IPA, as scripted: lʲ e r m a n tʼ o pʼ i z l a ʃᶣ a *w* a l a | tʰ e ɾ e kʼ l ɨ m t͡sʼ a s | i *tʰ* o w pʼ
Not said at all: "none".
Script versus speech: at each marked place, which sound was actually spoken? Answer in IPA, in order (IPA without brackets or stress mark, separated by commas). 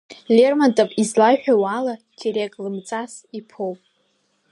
w, pʰ